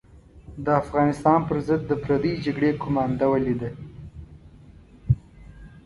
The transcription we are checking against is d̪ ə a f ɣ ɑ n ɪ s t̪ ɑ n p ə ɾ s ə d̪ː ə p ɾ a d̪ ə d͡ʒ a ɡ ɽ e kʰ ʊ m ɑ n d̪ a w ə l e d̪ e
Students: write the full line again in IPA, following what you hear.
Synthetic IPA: d̪ ə a f ɣ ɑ n ɪ s t̪ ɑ n p ə ɾ z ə d̪ː ə p ɾ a d̪ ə d͡ʒ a ɡ ɽ e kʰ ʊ m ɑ n d̪ a w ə l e d̪ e